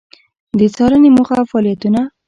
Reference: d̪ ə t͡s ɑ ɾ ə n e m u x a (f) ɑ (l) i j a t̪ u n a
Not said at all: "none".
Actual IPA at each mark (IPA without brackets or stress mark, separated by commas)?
f, l